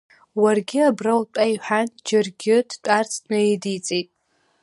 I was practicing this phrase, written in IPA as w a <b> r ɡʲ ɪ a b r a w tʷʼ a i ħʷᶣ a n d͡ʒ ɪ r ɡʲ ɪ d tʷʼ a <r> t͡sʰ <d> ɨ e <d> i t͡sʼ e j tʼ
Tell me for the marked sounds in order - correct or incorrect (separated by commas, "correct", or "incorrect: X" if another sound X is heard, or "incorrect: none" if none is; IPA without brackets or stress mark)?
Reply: incorrect: none, correct, incorrect: n, correct